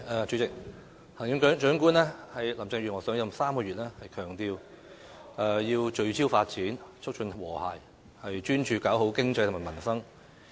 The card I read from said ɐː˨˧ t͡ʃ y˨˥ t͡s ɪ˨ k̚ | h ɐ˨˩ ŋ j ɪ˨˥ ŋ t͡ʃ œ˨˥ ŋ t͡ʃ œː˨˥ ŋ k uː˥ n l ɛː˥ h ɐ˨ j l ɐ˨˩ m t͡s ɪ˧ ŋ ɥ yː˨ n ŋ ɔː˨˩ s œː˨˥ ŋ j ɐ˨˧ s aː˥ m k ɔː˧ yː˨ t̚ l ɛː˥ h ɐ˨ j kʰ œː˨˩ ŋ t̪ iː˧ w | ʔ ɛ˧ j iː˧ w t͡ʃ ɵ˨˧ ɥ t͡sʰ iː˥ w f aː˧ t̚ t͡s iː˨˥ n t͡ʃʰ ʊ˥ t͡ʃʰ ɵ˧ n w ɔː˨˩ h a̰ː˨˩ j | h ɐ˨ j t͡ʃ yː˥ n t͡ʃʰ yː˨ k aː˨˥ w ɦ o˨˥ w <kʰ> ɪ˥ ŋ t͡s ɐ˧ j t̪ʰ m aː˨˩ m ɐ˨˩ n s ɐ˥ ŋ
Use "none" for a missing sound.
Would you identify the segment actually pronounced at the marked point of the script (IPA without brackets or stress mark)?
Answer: k